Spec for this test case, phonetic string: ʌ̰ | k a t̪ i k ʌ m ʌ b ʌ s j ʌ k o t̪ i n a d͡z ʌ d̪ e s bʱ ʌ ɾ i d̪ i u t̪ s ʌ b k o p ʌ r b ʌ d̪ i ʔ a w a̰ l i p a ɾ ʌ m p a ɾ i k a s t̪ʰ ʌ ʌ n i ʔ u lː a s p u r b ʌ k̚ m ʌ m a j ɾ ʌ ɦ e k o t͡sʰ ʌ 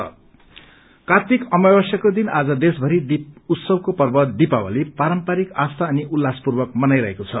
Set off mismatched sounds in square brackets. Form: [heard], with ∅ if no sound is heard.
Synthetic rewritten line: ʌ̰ | k a t̪ i k ʌ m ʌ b ʌ s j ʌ k o [d̪] i n a d͡z ʌ d̪ e s bʱ ʌ ɾ i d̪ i u t̪ s ʌ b k o p ʌ r b ʌ d̪ i [p] a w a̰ l i p a ɾ ʌ m p a ɾ i k a s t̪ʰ [a] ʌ n i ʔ u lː a s p u r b ʌ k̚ m ʌ [n] a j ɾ ʌ ɦ e k o t͡sʰ ʌ